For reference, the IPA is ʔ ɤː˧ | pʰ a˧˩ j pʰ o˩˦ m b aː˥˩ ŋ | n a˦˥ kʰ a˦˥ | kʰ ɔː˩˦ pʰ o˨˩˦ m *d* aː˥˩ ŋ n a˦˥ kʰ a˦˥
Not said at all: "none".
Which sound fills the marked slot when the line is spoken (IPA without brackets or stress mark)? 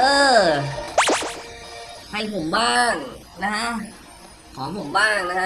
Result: b